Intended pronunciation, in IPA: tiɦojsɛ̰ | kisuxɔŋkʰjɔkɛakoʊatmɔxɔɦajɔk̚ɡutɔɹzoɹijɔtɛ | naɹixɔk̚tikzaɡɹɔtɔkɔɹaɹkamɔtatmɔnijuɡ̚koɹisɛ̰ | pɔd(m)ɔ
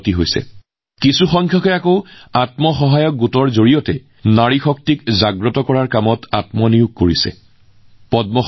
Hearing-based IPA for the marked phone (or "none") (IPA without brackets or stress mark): m